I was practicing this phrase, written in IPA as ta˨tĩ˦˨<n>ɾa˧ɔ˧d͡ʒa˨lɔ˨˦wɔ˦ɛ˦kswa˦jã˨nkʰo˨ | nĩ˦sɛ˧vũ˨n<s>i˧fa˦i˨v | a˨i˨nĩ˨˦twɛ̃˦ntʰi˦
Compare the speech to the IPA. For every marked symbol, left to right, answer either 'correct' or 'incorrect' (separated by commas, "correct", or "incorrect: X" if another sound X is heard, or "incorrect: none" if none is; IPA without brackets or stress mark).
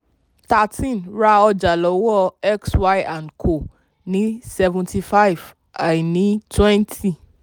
correct, incorrect: t